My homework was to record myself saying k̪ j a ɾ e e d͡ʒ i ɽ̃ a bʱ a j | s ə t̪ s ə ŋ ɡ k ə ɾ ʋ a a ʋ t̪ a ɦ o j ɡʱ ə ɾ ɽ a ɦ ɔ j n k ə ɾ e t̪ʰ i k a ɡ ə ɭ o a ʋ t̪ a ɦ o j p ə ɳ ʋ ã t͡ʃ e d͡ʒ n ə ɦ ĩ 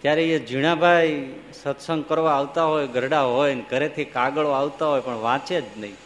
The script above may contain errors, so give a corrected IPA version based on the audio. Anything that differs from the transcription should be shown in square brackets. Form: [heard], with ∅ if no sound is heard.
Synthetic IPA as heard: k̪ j a ɾ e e d͡ʒ i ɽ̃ a bʱ a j | s ə t̪ s ə ŋ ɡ k ə ɾ ʋ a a ʋ t̪ a ɦ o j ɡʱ ə ɾ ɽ a ɦ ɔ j n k ə ɾ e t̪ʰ i k a ɡ ə ɭ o a ʋ t̪ a ɦ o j p ə ɳ ʋ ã t͡ʃ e d͡ʒ n ə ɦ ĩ